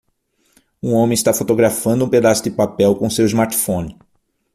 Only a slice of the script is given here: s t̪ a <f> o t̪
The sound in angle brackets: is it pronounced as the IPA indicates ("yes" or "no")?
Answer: yes